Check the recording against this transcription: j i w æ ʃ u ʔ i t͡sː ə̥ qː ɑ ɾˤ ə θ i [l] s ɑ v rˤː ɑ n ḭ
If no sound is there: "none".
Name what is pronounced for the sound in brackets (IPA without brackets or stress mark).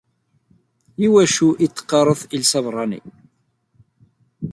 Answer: l